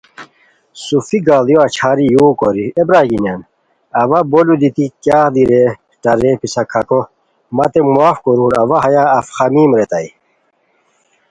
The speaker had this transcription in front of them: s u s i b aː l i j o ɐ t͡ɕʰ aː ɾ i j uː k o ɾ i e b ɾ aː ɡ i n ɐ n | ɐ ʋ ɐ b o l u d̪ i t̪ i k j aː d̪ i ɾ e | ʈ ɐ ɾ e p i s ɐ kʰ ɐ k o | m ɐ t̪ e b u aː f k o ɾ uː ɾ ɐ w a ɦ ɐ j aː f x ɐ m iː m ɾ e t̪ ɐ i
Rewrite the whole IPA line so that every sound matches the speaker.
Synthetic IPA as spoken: s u f i ɡ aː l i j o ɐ t͡ɕʰ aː ɾ i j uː k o ɾ i e b ɾ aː ɡ i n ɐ n | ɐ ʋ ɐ b o l u d̪ i t̪ i k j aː d̪ i ɾ e | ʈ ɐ ɾ e p i s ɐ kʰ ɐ k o | m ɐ t̪ e m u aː f k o ɾ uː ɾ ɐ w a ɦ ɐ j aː f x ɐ m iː m ɾ e t̪ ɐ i